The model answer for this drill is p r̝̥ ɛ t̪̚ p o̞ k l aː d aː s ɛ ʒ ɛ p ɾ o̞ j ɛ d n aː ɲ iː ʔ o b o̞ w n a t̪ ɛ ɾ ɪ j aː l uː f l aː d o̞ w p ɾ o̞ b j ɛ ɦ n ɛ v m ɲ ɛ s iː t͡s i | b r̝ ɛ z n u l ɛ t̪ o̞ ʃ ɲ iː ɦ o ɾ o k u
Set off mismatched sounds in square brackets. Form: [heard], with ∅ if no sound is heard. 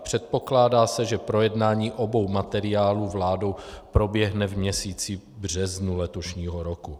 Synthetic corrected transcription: p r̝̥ ɛ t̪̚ p o̞ k l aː d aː s ɛ ʒ ɛ p ɾ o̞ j ɛ d n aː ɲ iː ʔ o b o̞ w [m] a t̪ ɛ ɾ ɪ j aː l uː [v] l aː d o̞ w p ɾ o̞ b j ɛ ɦ n ɛ v m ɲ ɛ s iː t͡s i | b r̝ ɛ z n u l ɛ t̪ o̞ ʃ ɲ iː ɦ o ɾ o k u